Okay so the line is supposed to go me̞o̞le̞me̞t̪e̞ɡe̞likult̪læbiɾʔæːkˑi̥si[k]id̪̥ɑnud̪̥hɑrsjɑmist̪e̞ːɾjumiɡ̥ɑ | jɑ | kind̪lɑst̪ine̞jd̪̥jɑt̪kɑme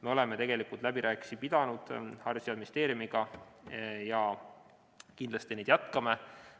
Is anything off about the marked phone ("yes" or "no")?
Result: yes